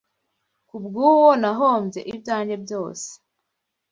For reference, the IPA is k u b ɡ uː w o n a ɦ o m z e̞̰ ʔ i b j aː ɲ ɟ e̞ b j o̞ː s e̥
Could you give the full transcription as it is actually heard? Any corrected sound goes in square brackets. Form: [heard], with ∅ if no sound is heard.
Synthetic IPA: k u b ɡ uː w o n a ɦ o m z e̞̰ ʔ i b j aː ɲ ɟ e̞ b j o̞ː s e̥